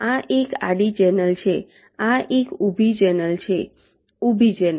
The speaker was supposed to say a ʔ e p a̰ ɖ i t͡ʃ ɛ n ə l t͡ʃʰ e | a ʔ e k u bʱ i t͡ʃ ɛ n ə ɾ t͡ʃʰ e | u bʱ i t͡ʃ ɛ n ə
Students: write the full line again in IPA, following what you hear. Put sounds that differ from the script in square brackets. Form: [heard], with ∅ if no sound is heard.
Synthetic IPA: a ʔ e [k] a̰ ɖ i t͡ʃ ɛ n ə l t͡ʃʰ e | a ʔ e k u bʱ i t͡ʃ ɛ n ə [l] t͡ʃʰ e | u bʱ i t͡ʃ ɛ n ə

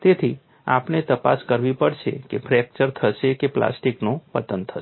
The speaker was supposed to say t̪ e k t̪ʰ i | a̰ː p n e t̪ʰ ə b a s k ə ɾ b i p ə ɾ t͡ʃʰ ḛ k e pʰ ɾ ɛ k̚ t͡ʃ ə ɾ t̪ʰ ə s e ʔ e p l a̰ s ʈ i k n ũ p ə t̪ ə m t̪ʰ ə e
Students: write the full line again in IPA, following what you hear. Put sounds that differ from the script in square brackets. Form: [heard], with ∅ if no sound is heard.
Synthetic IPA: t̪ e [∅] t̪ʰ i | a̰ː p n e [t̪] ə [p] a s k ə ɾ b i p ə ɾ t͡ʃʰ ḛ k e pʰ ɾ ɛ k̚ t͡ʃ ə ɾ t̪ʰ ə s e [k] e p l a̰ s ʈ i k n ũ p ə t̪ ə [n] t̪ʰ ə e

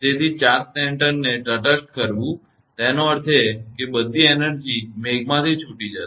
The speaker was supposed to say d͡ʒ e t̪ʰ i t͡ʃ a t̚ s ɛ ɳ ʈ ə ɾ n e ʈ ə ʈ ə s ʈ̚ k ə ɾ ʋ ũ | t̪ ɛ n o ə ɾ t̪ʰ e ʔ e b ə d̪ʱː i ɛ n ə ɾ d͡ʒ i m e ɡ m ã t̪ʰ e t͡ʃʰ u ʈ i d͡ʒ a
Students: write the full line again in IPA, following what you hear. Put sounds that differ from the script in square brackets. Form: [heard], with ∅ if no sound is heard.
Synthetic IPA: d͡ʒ e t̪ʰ i t͡ʃ a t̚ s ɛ ɳ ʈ ə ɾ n e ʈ ə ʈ ə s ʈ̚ k ə ɾ ʋ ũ | t̪ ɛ n o ə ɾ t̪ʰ e [k] e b ə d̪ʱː i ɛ n ə ɾ d͡ʒ i m e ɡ m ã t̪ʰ [i] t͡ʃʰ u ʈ i d͡ʒ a

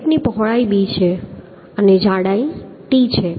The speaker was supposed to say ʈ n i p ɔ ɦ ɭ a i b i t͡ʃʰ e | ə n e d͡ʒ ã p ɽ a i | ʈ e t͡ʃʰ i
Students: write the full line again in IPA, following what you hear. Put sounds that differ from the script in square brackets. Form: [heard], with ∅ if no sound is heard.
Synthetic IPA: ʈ n i p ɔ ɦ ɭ a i b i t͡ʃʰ e | ə n e d͡ʒ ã [∅] ɽ a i | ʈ [i] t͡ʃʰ [e]

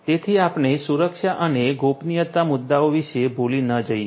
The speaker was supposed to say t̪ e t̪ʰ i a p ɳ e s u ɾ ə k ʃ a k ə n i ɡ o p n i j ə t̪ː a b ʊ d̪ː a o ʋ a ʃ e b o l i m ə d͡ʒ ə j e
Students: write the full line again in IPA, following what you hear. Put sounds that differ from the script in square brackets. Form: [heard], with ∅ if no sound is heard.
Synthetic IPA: t̪ e t̪ʰ i a p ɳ e s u ɾ ə k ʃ a [ʔ] ə n [e] ɡ o p n i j ə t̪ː a [m] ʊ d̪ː a o ʋ [i] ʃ e b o l i [n] ə d͡ʒ ə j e

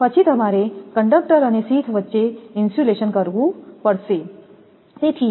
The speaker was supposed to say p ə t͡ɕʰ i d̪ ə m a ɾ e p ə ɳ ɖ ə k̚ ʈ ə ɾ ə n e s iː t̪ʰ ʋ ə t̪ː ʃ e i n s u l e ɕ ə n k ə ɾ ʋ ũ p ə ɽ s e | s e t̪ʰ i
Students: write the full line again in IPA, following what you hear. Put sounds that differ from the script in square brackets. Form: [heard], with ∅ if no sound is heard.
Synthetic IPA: p ə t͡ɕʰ i [t̪] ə m a ɾ e [k] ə ɳ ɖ ə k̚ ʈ ə ɾ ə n e s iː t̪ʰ ʋ ə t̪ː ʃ e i n s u l e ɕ ə n k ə ɾ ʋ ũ p ə ɽ s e | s e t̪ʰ i

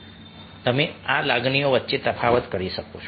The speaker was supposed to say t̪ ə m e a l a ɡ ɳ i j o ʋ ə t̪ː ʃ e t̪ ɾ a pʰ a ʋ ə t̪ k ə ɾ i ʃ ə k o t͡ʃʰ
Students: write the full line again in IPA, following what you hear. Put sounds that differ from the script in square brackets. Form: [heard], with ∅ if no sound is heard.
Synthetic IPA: t̪ ə m e a l a ɡ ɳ i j o ʋ ə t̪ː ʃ e t̪ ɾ [ə] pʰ a ʋ ə t̪ k ə ɾ i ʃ ə k o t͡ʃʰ

